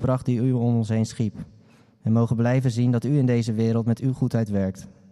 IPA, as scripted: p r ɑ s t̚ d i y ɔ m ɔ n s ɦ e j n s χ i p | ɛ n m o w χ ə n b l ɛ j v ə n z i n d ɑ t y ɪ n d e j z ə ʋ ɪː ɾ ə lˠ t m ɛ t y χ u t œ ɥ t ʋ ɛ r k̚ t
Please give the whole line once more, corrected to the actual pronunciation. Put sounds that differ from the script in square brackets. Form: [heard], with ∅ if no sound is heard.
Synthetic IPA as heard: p r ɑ [χ] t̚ d i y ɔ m ɔ n s ɦ e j n s χ i p | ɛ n m o w χ ə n b l ɛ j v ə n z i n d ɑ t y ɪ n d e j z ə ʋ ɪː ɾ ə lˠ t m ɛ t y χ u t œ ɥ t ʋ ɛ [ɹ] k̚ t